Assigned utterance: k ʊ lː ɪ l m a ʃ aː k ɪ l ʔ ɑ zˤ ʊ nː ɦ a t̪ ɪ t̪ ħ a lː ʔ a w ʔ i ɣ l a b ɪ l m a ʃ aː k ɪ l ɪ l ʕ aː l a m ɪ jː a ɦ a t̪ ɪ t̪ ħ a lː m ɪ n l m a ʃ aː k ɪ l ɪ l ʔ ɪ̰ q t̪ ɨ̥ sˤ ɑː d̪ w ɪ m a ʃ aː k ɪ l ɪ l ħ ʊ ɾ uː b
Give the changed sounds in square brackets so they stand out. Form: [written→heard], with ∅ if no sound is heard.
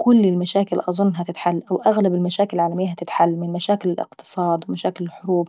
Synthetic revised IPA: k ʊ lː ɪ l m a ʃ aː k ɪ l ʔ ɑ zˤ ʊ nː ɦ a t̪ ɪ t̪ ħ a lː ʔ a w ʔ [i→a] ɣ l a b ɪ l m a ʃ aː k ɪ l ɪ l ʕ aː l a m ɪ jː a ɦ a t̪ ɪ t̪ ħ a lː m ɪ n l m a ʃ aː k ɪ l ɪ l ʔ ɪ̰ q t̪ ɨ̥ sˤ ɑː d̪ w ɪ m a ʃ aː k ɪ l ɪ l ħ ʊ ɾ uː b